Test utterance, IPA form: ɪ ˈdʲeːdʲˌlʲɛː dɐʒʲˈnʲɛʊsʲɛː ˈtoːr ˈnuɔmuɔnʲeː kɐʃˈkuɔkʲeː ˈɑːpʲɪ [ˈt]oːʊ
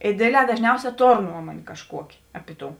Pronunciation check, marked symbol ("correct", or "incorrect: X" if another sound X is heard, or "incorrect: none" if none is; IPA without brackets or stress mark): correct